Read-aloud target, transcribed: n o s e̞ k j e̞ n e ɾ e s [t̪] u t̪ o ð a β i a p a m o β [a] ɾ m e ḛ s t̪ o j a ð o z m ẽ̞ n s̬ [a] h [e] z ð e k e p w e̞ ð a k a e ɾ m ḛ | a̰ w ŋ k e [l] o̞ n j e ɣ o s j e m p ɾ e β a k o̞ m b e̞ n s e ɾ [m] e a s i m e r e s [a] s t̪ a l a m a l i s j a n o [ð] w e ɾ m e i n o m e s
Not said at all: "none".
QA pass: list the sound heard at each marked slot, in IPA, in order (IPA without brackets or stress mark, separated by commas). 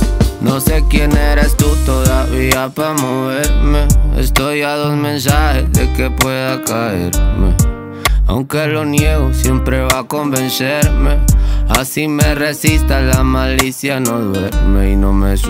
t̪, e, a, e, l, m, i, ð